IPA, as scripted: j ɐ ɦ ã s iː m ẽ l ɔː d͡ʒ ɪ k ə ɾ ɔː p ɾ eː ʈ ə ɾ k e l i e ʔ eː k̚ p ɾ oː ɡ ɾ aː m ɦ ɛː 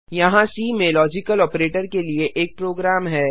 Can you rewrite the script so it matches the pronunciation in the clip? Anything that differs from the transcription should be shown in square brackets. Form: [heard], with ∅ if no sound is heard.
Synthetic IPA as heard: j ɐ ɦ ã s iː m ẽ l ɔː d͡ʒ ɪ k ə [l] ɔː p ɾ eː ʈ ə ɾ k e l i e ʔ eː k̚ p ɾ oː ɡ ɾ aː m ɦ ɛː